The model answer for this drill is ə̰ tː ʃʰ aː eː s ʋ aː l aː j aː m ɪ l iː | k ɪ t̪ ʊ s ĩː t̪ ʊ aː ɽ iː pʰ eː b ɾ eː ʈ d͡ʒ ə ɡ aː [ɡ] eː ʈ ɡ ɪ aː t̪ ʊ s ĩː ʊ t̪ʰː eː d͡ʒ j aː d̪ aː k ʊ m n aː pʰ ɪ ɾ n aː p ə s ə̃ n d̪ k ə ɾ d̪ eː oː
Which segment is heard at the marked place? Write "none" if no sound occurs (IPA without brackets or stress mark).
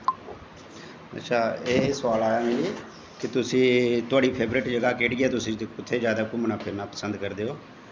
k